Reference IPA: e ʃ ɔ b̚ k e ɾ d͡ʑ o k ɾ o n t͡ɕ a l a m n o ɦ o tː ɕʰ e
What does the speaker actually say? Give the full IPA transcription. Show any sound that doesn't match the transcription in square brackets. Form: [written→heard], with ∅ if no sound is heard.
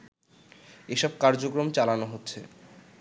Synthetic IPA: e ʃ ɔ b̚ k [e→a] ɾ d͡ʑ o k ɾ o [n→m] t͡ɕ a l a [m→∅] n o ɦ o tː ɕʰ e